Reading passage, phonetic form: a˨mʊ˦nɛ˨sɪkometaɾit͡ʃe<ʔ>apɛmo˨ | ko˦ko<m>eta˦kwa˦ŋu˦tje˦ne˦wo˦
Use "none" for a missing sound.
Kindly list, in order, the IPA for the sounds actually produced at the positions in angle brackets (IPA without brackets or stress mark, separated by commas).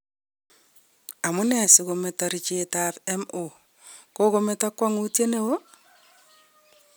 t, m